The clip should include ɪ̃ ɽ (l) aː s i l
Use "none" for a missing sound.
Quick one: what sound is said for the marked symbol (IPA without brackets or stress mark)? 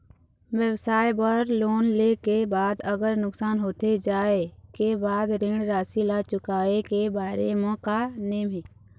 ɾ